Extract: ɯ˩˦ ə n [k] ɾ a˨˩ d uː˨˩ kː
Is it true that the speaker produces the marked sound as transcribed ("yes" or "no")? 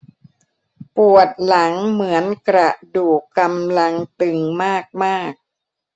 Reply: yes